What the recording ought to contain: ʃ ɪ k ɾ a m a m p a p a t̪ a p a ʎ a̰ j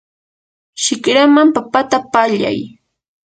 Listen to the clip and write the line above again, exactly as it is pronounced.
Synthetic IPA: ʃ ɪ k ɾ a m a m p a p a t̪ a p a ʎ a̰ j

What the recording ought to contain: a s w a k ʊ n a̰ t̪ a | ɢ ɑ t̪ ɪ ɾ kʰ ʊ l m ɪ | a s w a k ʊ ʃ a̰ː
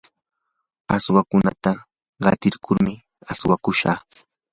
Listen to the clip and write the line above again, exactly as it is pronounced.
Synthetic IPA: a s w a k ʊ n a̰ t̪ a | ɢ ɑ t̪ ɪ ɾ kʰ ʊ ɾ m ɪ | a s w a k ʊ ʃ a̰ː

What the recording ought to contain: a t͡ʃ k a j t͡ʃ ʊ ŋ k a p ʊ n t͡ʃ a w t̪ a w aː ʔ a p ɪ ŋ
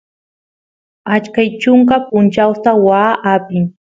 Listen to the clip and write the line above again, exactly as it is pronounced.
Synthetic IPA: a t͡ʃ k a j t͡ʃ ʊ ŋ k a p ʊ n t͡ʃ a w t̪ a w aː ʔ a p ɪ ŋ

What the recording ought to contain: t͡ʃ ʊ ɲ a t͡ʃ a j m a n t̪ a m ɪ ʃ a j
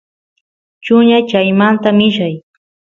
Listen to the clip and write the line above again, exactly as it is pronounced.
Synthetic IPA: t͡ʃ ʊ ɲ a t͡ʃ a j m a n t̪ a m ɪ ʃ a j

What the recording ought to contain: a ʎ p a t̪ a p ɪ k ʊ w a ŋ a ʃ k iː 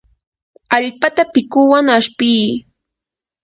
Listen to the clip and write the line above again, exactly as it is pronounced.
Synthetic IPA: a ʎ p a t̪ a p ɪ k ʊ w a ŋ a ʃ p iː

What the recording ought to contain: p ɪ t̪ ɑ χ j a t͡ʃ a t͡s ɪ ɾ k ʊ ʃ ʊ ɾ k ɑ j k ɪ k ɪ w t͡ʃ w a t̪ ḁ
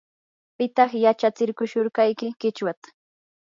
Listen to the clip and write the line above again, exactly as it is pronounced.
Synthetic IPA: p ɪ t̪ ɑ χ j a t͡ʃ a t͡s ɪ ɾ k ʊ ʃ ʊ ɾ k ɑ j k ɪ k ɪ t͡ʃ w a t̪ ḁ

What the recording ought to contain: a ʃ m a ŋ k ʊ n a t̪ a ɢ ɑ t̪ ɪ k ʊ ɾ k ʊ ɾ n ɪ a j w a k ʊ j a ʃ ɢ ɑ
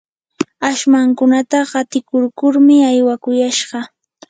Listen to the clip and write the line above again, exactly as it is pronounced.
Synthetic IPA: a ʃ m a ŋ k ʊ n a t̪ a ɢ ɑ t̪ ɪ k ʊ ɾ k ʊ ɾ m ɪ a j w a k ʊ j a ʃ ɢ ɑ

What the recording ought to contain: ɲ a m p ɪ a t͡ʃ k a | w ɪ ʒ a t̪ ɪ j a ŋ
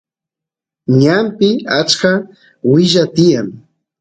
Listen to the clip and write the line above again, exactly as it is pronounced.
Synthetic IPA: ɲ a m p ɪ a t͡ʃ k a | w ɪ ʒ a t̪ ɪ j a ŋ

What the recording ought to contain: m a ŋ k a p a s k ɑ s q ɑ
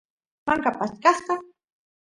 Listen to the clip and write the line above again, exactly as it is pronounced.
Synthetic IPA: m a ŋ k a p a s k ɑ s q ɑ

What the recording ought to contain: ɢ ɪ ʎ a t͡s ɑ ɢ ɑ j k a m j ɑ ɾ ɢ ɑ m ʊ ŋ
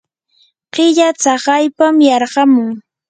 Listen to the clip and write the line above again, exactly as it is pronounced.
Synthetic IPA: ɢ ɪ ʎ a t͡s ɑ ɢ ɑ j p a m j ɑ ɾ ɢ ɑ m ʊ ŋ

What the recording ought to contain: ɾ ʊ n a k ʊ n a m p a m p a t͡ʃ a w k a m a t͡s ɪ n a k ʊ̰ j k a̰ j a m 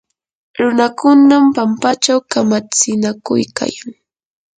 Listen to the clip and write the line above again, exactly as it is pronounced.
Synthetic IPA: ɾ ʊ n a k ʊ n a m p a m p a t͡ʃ a w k a m a t͡s ɪ n a k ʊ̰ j k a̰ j a ŋ

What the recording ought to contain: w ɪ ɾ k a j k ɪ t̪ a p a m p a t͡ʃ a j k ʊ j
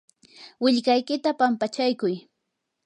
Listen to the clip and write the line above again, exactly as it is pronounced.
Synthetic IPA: w ɪ ʎ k a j k ɪ t̪ a p a m p a t͡ʃ a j k ʊ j

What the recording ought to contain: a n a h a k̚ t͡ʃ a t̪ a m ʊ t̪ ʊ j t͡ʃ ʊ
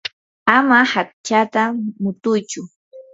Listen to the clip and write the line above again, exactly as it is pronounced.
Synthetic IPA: a m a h a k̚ t͡ʃ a t̪ a m ʊ t̪ ʊ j t͡ʃ ʊ

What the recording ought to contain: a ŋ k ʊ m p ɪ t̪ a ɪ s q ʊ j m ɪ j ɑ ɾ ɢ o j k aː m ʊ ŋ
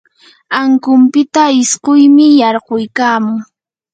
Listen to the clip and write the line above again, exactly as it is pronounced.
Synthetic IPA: a ŋ k ʊ m p ɪ t̪ a ɪ s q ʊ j m ɪ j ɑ ɾ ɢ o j k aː m ʊ ŋ

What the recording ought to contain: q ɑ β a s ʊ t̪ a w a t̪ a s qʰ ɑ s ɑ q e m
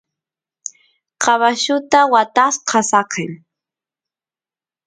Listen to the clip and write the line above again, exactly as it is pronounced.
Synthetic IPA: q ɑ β a ʃ ʊ t̪ a w a t̪ a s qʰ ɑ s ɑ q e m

